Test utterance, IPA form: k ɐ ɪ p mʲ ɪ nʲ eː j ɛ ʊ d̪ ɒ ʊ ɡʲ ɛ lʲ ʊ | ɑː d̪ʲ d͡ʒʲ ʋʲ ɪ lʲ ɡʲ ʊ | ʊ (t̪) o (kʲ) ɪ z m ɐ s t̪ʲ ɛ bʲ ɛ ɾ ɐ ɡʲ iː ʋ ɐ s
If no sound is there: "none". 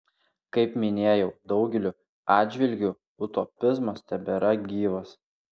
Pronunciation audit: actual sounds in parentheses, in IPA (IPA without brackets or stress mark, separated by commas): t̪, pʲ